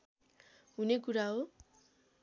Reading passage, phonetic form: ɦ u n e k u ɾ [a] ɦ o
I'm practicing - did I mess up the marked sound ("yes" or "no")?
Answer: no